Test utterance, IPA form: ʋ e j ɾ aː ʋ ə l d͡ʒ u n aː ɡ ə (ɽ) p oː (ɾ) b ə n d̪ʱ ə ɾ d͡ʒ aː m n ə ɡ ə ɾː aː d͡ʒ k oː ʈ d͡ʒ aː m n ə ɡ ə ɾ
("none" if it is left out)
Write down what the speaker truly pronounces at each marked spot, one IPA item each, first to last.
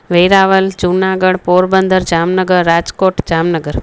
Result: ɽ, ɾ

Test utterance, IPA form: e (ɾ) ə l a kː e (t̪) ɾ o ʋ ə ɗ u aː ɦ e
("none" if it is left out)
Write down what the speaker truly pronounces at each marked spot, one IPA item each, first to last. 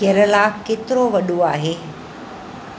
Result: ɾ, t̪

